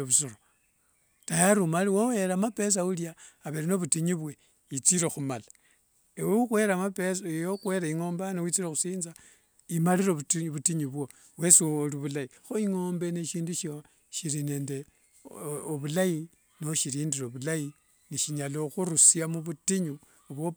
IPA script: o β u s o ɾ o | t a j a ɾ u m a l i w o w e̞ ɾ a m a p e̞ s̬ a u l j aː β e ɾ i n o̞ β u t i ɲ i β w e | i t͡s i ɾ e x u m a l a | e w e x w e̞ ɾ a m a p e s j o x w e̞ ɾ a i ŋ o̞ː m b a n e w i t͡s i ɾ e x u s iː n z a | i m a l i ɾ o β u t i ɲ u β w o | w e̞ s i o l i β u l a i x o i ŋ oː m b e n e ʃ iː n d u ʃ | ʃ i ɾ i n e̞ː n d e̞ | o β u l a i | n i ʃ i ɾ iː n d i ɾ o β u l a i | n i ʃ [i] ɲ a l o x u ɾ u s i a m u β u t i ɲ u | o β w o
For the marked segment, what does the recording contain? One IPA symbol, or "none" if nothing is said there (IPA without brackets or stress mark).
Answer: i